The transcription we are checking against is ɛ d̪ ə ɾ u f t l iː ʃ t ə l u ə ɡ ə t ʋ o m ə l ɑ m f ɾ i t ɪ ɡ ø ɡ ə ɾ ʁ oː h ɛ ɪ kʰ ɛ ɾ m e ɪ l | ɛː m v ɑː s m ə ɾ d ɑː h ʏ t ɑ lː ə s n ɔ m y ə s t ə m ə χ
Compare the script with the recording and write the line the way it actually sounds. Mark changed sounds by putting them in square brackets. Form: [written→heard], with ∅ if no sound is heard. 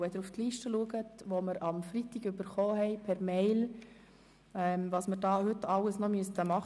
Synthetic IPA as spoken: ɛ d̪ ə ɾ u f t l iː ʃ t ə l u ə ɡ ə t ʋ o m ə [l→ɾ] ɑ m f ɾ i t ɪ ɡ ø [ɡ→b] ə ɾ [ʁ→χ] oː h ɛ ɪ [kʰ→pʰ] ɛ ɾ m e ɪ l | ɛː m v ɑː s m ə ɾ d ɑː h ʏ t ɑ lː ə s n ɔ m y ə s t ə m [ə→ɑ] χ